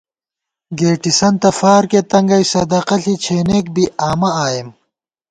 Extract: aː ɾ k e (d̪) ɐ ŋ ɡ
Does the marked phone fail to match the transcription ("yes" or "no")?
yes